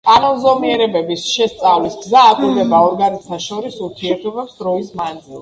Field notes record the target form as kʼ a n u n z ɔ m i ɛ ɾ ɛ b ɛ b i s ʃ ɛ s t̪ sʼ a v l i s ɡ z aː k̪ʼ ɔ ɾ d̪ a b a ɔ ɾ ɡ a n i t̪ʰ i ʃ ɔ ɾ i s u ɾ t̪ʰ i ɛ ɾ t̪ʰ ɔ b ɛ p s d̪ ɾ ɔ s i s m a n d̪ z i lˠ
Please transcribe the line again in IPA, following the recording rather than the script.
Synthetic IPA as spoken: kʼ a n ɔ n z ɔ m i ɛ ɾ ɛ b ɛ b i s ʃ ɛ s t̪ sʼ a v l i s ɡ z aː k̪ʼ u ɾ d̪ ɛ b a ɔ ɾ ɡ a n i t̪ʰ a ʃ ɔ ɾ i s u ɾ t̪ʰ i ɛ ɾ t̪ʰ ɔ b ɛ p s d̪ ɾ ɔ i s m a n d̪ z i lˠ